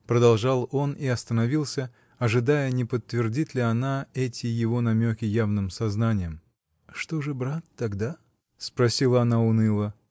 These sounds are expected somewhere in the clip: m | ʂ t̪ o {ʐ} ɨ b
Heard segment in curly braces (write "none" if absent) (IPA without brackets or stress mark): ʐ